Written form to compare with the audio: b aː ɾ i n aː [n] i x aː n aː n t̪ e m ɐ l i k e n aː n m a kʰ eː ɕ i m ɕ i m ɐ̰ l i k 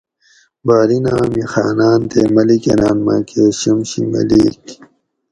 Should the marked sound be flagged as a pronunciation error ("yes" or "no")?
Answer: yes